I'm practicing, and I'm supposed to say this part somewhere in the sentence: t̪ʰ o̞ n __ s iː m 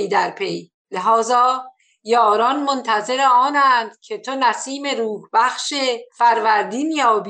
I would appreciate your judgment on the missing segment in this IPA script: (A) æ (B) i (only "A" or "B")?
A